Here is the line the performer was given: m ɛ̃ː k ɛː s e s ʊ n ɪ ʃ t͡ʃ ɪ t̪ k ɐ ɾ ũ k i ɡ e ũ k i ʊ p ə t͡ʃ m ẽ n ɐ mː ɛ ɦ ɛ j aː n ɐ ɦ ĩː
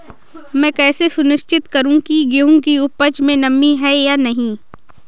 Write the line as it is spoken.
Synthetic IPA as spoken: m ɛ̃ː k ɛː s e s ʊ n ɪ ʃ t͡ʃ ɪ t̪ k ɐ ɾ ũ k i ɡ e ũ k i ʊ p ə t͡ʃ m ẽ n ɐ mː i ɦ ɛ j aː n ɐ ɦ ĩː